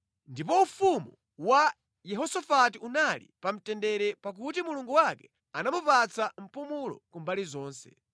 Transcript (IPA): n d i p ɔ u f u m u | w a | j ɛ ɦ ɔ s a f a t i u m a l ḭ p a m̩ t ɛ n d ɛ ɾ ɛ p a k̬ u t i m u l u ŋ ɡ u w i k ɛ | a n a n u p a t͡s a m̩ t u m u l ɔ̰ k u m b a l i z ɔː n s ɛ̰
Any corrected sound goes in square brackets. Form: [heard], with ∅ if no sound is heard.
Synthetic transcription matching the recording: n d i p ɔ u f u m u | w a | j ɛ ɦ ɔ s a f a t i u [n] a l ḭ p a m̩ t ɛ n d ɛ ɾ ɛ p a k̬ u t i m u l u ŋ ɡ u w [a] k ɛ | a n a [m] u p a t͡s a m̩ [p] u m u l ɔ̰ k u m b a l i z ɔː n s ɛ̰